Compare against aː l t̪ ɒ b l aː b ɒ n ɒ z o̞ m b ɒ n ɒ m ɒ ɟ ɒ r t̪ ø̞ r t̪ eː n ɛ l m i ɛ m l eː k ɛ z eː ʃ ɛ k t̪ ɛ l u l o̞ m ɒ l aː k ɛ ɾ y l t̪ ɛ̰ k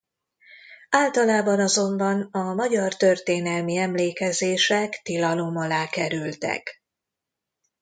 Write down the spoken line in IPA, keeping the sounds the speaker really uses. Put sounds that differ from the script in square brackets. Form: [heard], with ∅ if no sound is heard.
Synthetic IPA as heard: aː l t̪ ɒ [∅] l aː b ɒ n ɒ z o̞ m b ɒ n ɒ m ɒ ɟ ɒ r t̪ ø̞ r t̪ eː n ɛ l m i ɛ m l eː k ɛ z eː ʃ ɛ k t̪ [i] l [ɒ] l o̞ m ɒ l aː k ɛ ɾ y l t̪ ɛ̰ k